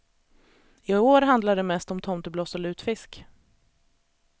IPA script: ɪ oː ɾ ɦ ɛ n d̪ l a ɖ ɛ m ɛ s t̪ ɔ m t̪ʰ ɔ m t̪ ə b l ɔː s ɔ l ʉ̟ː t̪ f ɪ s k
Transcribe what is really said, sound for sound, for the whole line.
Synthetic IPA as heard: ɪ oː ɾ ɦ a n d̪ l a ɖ ɛ m ɛ s t̪ ɔ m t̪ʰ ɔ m t̪ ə b l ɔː s ɔ l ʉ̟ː t̪ f ɪ s k